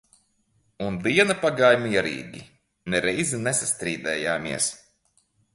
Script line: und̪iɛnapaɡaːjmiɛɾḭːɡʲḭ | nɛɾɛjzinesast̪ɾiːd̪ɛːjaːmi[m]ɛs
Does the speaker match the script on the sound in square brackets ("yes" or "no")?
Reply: no